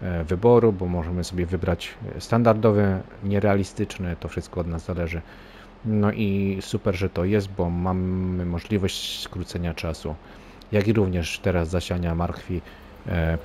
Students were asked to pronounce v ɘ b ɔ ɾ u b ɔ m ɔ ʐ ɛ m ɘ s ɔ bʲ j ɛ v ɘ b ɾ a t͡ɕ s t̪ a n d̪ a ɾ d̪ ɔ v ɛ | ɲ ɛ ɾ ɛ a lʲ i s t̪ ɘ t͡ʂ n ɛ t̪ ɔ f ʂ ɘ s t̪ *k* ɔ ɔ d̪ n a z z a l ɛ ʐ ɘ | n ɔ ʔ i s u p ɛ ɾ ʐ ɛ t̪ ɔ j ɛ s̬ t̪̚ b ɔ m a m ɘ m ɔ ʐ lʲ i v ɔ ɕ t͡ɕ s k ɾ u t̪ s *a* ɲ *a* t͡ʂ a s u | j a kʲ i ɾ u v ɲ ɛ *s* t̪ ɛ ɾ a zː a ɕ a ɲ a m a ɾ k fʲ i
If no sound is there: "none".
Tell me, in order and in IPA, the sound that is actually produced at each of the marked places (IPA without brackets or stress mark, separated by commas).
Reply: k, ɛ, a, ʂ